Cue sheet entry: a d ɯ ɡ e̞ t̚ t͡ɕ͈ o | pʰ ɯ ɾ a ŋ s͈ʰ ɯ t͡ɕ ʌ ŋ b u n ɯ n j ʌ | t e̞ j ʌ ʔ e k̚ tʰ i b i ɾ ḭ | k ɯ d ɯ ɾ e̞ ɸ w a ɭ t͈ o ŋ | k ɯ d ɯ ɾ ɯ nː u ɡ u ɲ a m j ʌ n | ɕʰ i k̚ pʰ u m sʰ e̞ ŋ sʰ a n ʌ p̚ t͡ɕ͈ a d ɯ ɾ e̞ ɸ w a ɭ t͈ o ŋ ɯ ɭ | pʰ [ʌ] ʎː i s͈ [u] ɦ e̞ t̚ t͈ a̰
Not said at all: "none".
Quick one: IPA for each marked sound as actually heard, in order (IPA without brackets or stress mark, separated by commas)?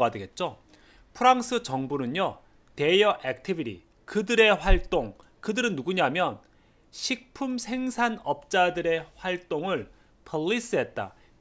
ʌ, ɯ